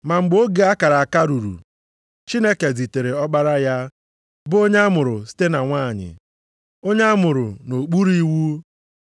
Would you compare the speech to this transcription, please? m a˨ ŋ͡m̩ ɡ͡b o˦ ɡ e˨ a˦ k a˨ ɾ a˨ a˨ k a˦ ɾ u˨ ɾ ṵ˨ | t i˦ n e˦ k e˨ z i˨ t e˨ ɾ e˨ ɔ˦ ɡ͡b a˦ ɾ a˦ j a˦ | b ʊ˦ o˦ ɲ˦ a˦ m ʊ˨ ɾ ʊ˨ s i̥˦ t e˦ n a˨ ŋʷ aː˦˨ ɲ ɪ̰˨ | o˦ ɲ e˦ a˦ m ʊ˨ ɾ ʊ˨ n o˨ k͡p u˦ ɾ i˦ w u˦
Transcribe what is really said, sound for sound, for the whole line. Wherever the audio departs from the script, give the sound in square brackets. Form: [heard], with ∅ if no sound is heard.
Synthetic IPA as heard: m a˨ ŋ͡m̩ ɡ͡b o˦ ɡ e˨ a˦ k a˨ ɾ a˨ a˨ k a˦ ɾ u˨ ɾ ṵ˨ | [t͡ʃ] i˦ n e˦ k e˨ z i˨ t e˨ ɾ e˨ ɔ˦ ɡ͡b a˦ ɾ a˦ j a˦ | b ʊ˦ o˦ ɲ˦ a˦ m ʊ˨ ɾ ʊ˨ s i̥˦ t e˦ n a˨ ŋʷ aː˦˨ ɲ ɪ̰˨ | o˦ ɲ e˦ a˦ m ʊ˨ ɾ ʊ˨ n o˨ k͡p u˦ ɾ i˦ w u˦

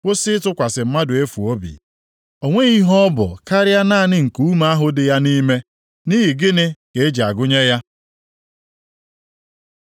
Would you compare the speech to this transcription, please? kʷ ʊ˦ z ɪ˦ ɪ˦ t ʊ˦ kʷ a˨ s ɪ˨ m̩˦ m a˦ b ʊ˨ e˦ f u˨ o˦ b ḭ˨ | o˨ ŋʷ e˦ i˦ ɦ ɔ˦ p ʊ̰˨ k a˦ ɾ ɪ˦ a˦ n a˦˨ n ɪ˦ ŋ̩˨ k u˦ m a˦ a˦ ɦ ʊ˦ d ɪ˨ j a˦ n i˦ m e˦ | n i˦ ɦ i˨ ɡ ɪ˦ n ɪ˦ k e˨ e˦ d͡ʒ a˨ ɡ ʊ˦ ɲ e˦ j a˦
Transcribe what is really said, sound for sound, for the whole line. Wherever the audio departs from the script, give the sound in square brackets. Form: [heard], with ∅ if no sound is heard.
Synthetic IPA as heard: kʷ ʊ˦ [s] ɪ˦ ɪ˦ t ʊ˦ kʷ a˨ s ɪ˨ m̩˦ m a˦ [d] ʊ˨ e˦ f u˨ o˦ b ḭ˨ | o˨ ŋʷ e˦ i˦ ɦ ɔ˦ [b] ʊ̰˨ k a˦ ɾ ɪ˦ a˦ n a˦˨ n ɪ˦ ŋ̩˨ k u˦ m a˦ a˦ ɦ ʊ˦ d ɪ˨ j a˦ n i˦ m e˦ | n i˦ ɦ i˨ ɡ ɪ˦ n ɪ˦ k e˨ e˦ d͡ʒ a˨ ɡ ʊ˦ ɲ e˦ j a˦

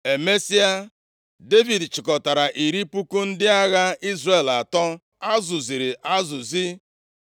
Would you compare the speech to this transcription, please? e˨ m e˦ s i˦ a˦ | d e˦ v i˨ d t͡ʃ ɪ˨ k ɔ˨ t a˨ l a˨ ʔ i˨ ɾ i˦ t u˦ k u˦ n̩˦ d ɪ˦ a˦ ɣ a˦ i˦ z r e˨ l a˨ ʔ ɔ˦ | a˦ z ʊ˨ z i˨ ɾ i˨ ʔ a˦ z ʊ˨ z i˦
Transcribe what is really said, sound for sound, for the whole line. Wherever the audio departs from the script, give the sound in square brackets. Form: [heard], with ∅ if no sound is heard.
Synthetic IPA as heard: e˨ m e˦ s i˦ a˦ | d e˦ v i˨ d t͡ʃ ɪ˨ k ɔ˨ t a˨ [ɾ] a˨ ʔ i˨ ɾ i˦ [p] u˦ k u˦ n̩˦ d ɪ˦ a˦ ɣ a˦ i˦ z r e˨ l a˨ [t] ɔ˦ | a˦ z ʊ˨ z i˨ ɾ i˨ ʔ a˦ z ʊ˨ z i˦

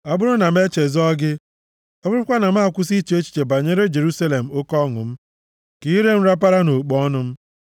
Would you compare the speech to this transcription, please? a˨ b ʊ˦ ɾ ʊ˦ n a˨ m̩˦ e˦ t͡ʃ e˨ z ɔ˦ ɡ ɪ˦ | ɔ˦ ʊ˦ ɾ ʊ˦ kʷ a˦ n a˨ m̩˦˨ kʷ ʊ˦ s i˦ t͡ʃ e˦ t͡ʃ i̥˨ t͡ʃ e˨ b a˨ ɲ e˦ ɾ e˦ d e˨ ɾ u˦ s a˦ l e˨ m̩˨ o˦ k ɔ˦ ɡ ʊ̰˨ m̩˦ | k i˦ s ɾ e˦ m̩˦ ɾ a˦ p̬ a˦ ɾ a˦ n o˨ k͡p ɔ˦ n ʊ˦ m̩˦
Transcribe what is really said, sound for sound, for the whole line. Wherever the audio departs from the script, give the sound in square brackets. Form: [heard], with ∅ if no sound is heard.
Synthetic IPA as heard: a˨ b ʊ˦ ɾ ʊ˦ n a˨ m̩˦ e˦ t͡ʃ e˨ z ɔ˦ ɡ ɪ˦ | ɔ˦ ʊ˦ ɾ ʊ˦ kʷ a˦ n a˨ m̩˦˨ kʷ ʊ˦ s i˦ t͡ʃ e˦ t͡ʃ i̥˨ t͡ʃ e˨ b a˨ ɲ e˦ ɾ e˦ [d͡ʒ] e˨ ɾ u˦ s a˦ l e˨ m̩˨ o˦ k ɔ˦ [ŋ] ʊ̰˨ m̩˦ | k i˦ [∅] ɾ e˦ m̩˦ ɾ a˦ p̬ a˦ ɾ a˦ n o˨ k͡p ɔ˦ n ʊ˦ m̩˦

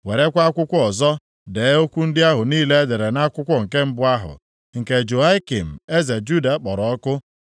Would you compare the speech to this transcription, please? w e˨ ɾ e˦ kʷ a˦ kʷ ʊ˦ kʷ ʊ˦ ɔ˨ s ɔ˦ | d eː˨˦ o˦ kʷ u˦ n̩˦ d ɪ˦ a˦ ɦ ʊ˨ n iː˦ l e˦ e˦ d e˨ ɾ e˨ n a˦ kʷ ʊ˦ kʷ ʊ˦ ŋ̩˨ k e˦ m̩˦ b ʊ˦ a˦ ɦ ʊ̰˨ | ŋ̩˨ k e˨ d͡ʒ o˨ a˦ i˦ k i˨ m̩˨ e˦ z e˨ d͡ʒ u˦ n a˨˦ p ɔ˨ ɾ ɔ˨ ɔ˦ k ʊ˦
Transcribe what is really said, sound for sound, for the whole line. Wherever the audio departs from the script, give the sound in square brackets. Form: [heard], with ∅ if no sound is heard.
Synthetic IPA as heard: w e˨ ɾ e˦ kʷ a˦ kʷ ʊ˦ kʷ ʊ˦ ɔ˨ [z] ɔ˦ | d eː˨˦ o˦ kʷ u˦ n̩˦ d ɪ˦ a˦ ɦ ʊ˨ n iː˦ l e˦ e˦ d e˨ ɾ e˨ n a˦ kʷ ʊ˦ kʷ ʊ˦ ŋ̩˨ k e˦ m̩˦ b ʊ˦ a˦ ɦ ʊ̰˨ | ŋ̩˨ k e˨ d͡ʒ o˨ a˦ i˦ k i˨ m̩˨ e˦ z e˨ d͡ʒ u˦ [d] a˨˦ [k͡p] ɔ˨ ɾ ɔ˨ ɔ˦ k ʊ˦

